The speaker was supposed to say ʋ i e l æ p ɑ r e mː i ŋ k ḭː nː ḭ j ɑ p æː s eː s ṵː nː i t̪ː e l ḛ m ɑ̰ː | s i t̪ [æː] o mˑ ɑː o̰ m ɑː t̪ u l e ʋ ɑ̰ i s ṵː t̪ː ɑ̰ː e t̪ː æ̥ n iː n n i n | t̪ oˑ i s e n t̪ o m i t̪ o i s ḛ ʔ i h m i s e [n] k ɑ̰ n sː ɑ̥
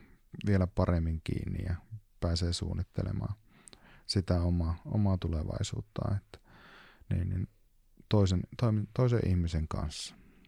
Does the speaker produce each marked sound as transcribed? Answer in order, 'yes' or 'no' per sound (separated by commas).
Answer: no, no